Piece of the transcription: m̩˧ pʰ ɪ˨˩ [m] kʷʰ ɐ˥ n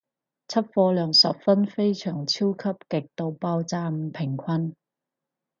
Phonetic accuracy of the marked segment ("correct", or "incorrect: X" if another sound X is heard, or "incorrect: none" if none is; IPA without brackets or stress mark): incorrect: ŋ